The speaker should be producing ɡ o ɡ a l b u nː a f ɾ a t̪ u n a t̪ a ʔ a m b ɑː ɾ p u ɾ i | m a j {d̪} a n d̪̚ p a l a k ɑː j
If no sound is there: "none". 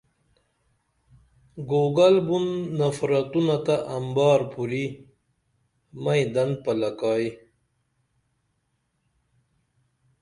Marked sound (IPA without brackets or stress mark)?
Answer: d̪